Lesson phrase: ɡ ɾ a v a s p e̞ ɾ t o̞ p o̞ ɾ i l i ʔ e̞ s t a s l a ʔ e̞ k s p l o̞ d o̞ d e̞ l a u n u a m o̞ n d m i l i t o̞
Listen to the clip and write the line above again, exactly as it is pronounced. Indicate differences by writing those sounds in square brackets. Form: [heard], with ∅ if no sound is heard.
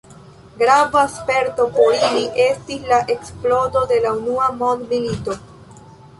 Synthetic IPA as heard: ɡ ɾ a v a s p e̞ ɾ t o̞ p o̞ ɾ i l i ʔ e̞ s t [i] s l a ʔ e̞ k s p l o̞ d o̞ d e̞ l a u n u a m o̞ n d m i l i t o̞